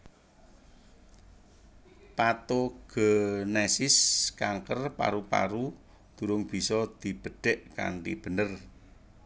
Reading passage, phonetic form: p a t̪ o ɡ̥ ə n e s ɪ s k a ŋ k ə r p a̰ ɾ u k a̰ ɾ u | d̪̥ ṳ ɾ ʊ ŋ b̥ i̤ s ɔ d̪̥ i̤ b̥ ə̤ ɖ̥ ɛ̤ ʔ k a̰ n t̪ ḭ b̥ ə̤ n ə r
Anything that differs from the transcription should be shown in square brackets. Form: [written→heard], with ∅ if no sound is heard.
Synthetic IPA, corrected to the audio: p a t̪ o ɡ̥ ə n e s ɪ s k a ŋ k ə r p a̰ ɾ u [k→p] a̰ ɾ u | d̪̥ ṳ ɾ ʊ ŋ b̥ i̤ s ɔ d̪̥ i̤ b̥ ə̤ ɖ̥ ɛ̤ ʔ k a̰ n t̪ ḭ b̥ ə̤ n ə r

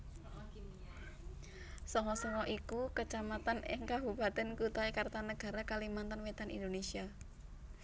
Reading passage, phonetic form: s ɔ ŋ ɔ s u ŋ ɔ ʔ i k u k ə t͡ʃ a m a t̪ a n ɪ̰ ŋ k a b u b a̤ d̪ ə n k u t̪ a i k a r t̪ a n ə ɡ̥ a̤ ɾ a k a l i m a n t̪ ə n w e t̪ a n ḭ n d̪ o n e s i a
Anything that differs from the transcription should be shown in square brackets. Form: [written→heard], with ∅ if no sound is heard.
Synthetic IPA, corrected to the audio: s ɔ ŋ ɔ s [u→ɔ] ŋ ɔ ʔ i k u k ə t͡ʃ a m a t̪ a n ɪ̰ ŋ k a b u b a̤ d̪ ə n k u t̪ a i k a r t̪ a n ə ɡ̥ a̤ ɾ a k a l i m a n t̪ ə n w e t̪ a n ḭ n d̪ o n e s i a

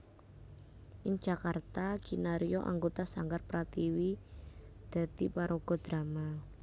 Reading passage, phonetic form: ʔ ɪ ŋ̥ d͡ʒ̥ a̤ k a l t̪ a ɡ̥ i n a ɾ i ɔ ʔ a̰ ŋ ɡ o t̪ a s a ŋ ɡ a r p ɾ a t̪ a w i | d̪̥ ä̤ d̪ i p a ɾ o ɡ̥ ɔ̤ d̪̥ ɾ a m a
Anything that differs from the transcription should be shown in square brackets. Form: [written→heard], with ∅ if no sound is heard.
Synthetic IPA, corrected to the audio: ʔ ɪ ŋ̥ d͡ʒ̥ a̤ k a [l→r] t̪ a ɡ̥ i n a ɾ i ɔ ʔ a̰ ŋ ɡ o t̪ a s a ŋ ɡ a r p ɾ a t̪ [a→i] w i | d̪̥ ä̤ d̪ i p a ɾ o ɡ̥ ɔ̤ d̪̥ ɾ a m a

